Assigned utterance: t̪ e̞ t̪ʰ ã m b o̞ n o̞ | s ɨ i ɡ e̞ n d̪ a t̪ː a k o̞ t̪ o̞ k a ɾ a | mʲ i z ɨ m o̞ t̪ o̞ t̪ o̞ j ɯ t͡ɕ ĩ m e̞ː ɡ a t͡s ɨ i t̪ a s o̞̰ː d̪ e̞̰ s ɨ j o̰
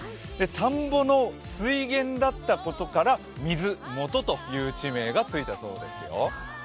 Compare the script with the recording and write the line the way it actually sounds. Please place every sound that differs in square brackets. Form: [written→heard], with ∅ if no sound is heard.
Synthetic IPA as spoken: [t̪→d̪] e̞ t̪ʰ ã m b o̞ n o̞ | s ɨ i ɡ [e̞→ẽ̞] n d̪ a t̪ː a k o̞ t̪ o̞ k a ɾ a | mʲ i z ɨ m o̞ t̪ o̞ t̪ o̞ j [ɯ→ɯː] t͡ɕ [ĩ→i] m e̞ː ɡ a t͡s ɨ i t̪ a s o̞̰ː d̪ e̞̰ s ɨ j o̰